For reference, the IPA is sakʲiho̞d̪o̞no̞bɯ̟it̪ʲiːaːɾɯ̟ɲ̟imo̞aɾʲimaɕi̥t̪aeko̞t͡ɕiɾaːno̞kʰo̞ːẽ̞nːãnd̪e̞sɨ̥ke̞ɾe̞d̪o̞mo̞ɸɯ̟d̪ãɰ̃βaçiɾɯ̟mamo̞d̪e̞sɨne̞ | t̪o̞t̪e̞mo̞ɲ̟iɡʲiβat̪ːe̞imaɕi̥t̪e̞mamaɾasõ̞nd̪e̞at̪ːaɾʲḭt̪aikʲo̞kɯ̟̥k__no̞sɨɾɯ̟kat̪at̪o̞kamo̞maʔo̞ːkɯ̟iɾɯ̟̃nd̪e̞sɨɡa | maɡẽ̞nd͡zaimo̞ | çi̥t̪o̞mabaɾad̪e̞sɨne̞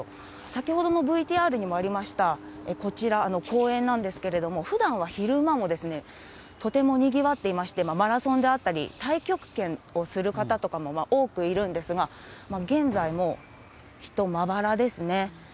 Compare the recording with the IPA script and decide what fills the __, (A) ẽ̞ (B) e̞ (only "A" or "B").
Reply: A